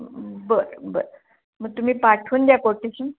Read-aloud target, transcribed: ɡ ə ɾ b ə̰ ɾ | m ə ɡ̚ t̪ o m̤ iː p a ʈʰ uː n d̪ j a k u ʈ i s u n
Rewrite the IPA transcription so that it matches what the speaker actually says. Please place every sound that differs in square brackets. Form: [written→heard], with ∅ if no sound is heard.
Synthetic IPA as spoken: [ɡ→b] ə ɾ b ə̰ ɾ | m ə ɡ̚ t̪ [o→u] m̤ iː p a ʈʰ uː n d̪ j a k [u→o] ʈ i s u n